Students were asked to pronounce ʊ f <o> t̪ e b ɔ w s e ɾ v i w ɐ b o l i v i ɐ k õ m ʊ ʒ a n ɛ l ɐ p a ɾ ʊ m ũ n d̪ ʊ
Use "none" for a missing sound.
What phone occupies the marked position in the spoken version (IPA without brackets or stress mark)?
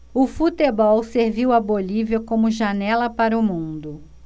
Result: u